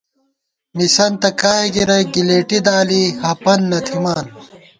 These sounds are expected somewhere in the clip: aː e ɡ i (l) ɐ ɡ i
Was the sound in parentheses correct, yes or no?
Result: no